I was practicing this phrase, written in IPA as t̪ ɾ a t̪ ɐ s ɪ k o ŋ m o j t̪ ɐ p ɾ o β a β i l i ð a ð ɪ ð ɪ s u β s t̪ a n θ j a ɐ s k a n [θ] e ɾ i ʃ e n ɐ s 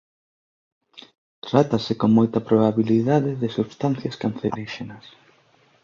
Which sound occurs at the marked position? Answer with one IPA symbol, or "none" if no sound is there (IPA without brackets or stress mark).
θ